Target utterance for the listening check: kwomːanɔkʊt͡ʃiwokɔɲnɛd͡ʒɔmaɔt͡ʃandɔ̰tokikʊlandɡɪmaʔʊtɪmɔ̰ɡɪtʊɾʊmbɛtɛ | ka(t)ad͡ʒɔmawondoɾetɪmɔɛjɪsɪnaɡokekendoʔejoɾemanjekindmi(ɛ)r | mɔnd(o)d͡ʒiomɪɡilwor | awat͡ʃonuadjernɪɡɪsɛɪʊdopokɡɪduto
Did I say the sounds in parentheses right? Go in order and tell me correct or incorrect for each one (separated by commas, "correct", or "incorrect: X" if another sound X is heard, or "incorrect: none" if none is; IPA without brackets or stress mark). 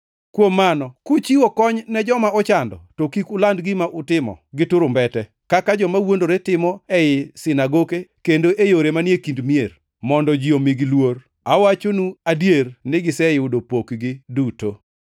incorrect: k, incorrect: e, incorrect: ɔ